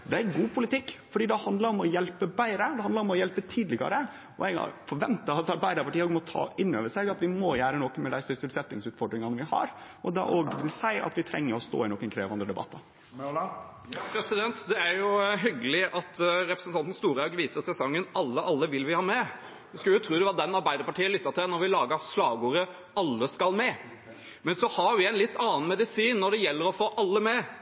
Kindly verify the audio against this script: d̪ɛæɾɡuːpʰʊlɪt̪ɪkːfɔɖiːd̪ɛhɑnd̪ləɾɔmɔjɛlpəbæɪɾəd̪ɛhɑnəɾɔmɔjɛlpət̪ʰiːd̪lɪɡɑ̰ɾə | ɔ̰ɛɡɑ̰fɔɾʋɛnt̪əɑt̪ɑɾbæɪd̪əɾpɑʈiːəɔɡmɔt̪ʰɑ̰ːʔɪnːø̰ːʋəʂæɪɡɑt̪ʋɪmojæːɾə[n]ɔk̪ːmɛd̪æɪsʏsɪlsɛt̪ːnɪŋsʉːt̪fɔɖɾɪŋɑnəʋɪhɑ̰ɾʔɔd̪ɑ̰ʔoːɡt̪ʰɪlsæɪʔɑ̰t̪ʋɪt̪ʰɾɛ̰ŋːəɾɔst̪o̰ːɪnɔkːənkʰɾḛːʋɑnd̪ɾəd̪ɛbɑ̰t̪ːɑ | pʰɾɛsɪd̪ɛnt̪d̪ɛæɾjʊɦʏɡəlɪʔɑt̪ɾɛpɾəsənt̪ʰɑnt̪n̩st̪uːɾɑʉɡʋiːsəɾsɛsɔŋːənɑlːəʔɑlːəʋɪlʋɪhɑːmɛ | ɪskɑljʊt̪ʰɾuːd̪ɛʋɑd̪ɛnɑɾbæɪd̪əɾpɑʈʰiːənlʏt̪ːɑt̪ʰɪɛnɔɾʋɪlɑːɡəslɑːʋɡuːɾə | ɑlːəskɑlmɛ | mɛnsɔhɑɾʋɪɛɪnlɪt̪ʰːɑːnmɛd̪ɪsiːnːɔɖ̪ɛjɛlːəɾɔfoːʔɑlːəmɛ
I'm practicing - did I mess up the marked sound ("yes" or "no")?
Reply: no